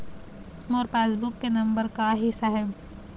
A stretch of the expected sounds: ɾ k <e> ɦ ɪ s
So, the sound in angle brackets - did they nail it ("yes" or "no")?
no